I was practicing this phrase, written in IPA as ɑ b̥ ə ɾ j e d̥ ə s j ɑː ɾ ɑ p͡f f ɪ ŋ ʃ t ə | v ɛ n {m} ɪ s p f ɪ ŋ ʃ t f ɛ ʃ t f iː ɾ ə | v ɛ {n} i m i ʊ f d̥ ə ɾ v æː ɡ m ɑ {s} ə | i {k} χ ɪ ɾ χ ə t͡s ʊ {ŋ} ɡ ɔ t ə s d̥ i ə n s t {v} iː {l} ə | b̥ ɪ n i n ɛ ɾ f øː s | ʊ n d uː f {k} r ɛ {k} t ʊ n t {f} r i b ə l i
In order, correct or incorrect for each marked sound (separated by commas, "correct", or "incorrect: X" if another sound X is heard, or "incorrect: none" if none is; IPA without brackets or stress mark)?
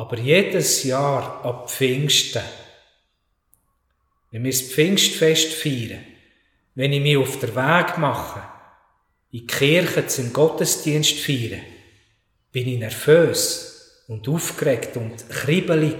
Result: correct, correct, incorrect: χ, correct, incorrect: m, incorrect: f, incorrect: ɾ, correct, correct, incorrect: χ